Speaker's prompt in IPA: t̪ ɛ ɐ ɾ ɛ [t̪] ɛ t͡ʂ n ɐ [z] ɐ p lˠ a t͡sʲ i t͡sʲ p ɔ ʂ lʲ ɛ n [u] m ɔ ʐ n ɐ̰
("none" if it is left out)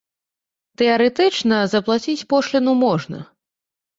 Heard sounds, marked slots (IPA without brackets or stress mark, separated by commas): t̪, z, u